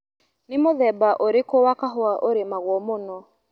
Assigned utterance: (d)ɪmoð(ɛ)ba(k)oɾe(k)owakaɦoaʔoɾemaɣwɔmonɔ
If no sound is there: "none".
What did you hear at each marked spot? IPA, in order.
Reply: n, ɛ, ʔ, k

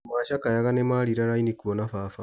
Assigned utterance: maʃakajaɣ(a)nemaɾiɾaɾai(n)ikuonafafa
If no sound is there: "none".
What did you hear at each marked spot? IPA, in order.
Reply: a, n

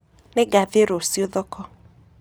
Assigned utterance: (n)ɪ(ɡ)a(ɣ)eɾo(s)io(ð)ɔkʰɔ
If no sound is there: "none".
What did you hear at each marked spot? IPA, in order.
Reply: n, ɡ, v, s, ð

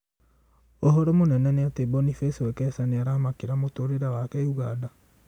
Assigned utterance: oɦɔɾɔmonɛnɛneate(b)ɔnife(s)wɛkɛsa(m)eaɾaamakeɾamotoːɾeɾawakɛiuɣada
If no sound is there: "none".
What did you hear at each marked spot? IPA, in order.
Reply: b, s, n

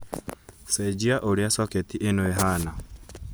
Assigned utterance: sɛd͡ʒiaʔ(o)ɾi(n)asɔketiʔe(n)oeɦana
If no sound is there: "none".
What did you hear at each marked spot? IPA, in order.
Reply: o, none, n

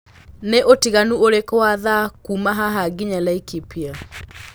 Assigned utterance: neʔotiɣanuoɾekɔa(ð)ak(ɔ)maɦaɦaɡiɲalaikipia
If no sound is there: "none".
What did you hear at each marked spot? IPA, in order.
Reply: ð, u

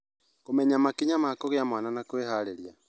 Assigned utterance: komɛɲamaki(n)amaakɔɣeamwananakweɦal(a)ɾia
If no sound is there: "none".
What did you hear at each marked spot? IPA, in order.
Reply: ɲ, e

